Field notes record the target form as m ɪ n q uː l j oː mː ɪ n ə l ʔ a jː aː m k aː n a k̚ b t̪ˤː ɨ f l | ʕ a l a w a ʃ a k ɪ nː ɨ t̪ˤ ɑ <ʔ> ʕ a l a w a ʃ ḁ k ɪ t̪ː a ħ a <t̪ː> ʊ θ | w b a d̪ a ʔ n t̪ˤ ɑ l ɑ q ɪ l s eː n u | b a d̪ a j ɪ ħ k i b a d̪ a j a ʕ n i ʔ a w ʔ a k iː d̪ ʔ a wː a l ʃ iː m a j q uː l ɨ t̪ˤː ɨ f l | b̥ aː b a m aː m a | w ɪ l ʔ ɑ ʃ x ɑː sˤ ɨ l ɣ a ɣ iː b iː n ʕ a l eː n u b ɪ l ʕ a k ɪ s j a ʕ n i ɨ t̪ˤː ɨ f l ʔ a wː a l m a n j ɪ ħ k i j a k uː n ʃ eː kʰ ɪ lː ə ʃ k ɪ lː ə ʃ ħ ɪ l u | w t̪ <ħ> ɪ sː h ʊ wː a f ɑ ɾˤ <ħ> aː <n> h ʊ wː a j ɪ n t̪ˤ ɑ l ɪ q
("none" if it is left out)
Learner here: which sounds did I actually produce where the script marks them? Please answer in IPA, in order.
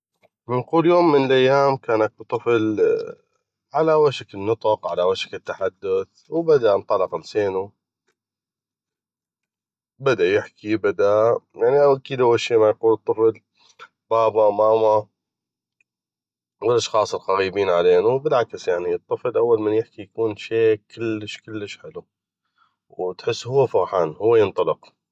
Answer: q, d̪ː, ħ, ħ, n

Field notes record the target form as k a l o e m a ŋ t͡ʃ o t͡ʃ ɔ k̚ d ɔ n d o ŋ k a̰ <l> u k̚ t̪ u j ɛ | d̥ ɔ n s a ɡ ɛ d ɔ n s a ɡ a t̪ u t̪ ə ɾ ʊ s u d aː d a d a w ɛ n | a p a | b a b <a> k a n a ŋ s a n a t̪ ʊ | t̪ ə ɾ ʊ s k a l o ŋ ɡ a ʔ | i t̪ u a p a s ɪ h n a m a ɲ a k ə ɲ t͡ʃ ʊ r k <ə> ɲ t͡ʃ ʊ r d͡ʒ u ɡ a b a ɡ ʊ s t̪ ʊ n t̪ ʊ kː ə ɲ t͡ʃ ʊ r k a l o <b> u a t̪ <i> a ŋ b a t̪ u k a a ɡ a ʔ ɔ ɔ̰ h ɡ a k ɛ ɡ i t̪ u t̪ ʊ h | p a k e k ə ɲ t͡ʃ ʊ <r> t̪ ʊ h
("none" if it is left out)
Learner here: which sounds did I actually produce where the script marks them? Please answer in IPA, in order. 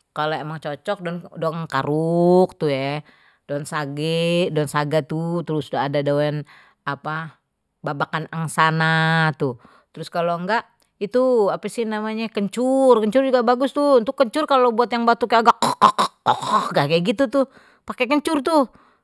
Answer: ɾ, a, ə, b, j, r

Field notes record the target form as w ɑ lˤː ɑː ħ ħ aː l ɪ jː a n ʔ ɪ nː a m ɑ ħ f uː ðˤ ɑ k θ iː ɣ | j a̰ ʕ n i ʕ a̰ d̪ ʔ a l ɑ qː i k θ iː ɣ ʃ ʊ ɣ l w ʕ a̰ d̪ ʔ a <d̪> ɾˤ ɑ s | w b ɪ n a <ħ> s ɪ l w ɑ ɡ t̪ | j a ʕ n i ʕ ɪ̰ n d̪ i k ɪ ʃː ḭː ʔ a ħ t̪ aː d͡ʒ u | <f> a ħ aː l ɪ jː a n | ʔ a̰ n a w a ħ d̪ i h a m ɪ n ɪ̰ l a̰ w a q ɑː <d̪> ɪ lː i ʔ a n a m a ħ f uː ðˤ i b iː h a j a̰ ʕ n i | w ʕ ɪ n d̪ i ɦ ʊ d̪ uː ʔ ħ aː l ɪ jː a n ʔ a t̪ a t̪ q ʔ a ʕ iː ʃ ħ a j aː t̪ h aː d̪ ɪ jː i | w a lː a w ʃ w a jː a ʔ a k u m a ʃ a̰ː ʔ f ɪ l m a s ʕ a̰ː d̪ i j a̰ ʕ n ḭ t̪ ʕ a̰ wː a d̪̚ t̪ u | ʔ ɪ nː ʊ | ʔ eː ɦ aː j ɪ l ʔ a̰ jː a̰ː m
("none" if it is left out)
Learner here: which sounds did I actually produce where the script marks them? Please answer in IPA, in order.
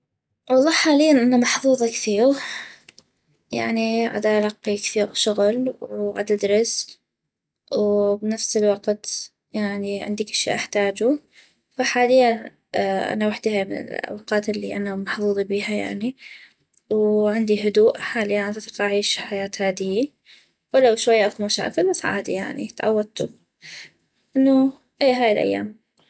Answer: d̪, f, f, t̪

